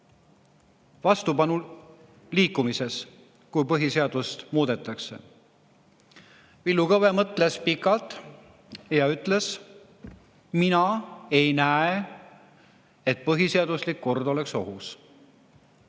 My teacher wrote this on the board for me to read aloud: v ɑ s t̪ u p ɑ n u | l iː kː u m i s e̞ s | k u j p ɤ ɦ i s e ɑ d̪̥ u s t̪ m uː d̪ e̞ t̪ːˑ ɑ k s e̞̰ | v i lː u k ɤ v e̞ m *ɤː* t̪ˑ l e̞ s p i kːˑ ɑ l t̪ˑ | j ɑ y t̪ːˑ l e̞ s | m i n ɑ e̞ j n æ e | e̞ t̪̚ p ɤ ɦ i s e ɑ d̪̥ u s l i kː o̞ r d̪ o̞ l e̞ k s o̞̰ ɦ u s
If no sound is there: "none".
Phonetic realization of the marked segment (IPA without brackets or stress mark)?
ɤ